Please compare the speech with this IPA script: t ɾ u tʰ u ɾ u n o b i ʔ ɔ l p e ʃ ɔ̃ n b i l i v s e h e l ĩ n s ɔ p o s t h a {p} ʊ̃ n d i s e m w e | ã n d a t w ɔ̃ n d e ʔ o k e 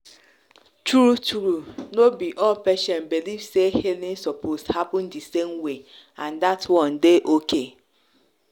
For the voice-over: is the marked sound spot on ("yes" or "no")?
yes